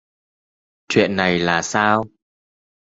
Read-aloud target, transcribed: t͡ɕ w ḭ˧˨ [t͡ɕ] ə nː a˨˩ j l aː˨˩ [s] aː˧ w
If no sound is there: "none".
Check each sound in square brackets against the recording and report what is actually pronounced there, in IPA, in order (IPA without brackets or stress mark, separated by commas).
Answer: none, s